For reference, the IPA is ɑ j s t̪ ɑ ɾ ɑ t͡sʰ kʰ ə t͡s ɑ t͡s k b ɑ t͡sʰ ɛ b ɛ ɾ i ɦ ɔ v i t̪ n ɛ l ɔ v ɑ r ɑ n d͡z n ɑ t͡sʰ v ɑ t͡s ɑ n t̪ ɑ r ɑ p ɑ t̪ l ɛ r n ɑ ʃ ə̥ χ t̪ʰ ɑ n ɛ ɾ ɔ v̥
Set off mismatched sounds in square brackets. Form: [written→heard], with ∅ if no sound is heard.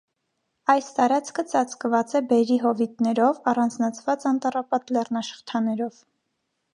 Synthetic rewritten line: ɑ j s t̪ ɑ ɾ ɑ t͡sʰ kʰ ə t͡s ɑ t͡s k [b→v] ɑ [t͡sʰ→t͡s] ɛ b ɛ ɾ i ɦ ɔ v i t̪ n ɛ [l→ɾ] ɔ v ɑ r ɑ n d͡z n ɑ t͡sʰ v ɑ t͡s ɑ n t̪ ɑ r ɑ p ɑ t̪ l ɛ r n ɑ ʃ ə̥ χ t̪ʰ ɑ n ɛ ɾ ɔ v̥